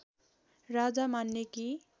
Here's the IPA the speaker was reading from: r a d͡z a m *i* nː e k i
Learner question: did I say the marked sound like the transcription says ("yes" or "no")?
no